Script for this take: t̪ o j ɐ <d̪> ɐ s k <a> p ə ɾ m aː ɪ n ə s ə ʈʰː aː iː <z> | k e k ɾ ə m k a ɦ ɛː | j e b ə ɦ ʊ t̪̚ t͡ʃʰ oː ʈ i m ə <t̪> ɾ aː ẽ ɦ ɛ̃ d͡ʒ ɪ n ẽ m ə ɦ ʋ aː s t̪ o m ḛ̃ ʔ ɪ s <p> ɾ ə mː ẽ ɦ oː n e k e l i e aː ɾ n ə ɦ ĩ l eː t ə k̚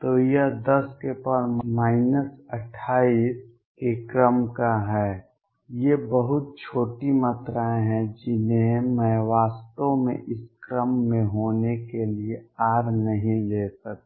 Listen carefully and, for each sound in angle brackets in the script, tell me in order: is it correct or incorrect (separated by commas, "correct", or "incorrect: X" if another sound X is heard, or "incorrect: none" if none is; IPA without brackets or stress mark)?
correct, incorrect: e, incorrect: s, correct, incorrect: k